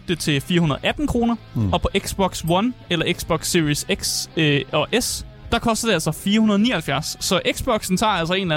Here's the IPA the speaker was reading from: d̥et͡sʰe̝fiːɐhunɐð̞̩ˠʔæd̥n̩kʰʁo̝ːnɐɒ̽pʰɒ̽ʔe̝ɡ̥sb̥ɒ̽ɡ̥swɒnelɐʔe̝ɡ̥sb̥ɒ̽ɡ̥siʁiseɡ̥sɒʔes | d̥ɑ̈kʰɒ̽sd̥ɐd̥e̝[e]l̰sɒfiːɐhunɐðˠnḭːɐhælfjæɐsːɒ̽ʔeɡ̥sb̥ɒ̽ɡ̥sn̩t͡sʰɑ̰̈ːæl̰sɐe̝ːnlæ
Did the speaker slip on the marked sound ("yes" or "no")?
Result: yes